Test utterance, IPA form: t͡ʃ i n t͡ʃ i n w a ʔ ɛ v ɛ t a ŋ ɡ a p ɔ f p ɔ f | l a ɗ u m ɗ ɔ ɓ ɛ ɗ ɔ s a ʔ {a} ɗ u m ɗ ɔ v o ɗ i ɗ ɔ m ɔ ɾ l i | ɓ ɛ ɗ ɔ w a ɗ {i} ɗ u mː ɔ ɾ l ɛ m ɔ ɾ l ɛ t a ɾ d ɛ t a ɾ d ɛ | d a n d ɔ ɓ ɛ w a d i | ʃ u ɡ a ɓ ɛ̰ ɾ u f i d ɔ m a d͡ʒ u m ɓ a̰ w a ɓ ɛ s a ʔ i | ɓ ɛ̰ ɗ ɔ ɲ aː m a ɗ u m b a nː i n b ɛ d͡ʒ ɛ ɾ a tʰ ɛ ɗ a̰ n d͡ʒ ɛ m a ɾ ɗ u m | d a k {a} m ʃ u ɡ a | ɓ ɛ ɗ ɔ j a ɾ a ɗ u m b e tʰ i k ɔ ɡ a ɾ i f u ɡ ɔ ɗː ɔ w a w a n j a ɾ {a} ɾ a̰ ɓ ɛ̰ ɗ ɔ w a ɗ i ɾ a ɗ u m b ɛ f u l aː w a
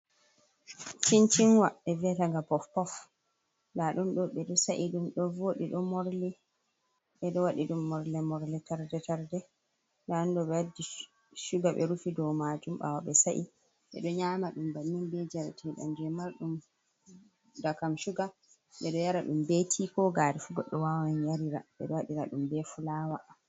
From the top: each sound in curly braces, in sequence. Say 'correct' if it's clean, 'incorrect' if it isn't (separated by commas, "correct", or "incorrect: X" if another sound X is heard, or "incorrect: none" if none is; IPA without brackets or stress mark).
incorrect: i, correct, correct, incorrect: i